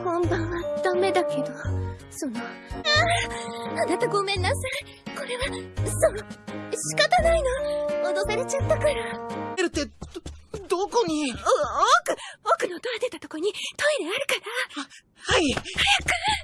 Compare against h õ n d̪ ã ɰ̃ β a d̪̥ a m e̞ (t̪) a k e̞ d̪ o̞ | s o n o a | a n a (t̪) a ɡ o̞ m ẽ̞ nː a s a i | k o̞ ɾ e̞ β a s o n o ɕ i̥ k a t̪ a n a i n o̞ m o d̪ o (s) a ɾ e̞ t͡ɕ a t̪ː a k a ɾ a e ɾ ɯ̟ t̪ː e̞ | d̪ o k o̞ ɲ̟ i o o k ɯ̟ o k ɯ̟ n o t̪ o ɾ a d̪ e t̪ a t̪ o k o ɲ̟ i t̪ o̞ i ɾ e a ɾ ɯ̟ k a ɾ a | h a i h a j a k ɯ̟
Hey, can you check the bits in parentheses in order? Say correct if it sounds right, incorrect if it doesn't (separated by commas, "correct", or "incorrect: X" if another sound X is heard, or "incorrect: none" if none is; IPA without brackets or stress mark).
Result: incorrect: d̪, correct, correct